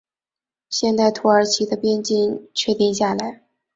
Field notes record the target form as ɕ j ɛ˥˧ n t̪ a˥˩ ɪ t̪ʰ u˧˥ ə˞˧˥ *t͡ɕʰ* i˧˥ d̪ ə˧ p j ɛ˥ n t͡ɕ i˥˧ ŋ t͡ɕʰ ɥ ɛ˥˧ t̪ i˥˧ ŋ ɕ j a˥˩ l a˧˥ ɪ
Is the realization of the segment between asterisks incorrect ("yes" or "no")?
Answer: no